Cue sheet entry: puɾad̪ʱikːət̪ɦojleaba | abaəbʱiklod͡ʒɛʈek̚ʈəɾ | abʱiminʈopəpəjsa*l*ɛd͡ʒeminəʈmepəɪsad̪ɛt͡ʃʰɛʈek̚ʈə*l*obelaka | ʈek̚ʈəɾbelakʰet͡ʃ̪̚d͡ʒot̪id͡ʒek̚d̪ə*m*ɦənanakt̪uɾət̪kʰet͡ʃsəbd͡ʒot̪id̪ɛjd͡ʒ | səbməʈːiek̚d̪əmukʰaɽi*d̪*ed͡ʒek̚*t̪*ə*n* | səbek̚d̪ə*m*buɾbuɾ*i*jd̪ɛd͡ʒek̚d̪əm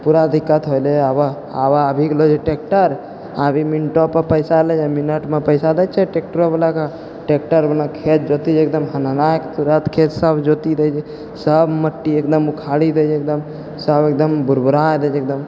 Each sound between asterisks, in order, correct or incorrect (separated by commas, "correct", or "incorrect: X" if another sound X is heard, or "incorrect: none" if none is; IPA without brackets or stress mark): correct, incorrect: ɾ, correct, correct, incorrect: d̪, incorrect: m, correct, incorrect: a